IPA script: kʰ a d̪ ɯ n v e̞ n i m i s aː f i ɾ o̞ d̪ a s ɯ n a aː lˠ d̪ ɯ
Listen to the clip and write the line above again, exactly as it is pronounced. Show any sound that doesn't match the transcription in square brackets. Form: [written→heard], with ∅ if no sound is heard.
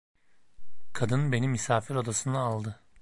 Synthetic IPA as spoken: kʰ a d̪ ɯ n [v→b] e̞ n i m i s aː f i ɾ o̞ d̪ a s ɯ n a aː lˠ d̪ ɯ